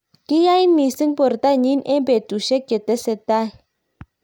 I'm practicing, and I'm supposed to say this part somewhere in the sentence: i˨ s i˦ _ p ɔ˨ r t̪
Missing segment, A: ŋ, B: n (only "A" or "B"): A